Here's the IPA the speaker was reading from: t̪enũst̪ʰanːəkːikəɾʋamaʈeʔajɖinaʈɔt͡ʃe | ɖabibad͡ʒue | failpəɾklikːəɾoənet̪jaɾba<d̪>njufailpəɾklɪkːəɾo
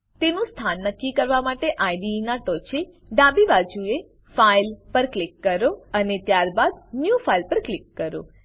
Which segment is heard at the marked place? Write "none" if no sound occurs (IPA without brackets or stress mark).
d̪